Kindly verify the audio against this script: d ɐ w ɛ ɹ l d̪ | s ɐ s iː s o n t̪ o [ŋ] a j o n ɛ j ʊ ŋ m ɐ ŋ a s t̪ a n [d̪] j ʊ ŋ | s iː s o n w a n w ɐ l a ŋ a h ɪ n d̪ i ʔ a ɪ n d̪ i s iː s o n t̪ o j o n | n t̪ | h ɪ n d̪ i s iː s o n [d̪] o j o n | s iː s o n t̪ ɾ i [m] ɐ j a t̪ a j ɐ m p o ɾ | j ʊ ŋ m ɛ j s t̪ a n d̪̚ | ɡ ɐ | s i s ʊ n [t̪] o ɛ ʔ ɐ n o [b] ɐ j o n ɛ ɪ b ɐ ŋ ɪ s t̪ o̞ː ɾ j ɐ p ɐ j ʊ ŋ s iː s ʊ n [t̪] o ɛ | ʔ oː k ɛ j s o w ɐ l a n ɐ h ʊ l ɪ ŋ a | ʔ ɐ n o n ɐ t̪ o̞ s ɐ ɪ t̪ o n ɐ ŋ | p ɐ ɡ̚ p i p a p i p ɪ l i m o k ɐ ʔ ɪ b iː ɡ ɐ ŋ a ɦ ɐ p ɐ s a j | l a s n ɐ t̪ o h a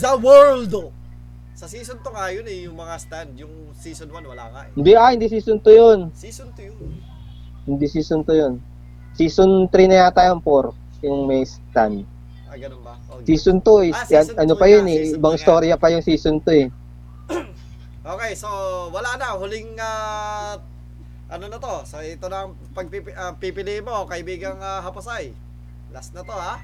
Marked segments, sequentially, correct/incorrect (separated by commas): correct, correct, incorrect, incorrect, correct, incorrect, correct